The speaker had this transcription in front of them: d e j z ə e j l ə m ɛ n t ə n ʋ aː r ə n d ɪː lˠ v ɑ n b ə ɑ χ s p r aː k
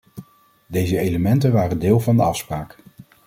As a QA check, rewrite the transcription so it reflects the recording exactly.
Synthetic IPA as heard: d e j z ə e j l ə m ɛ n t ə n ʋ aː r ə n d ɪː lˠ v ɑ n d ə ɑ f s p r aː k